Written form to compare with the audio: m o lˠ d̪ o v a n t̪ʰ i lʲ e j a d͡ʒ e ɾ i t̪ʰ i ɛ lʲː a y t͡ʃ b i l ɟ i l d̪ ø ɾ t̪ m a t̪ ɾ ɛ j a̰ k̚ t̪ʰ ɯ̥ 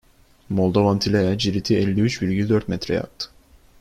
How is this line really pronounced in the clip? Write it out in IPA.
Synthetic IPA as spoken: m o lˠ d̪ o v a n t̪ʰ i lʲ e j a d͡ʒ i ɾ i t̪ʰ i ɛ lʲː i y t͡ʃ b i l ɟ i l d̪ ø ɾ t̪ m ɛ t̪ ɾ ɛ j a̰ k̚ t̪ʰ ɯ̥